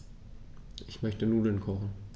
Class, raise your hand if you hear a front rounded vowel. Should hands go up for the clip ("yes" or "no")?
yes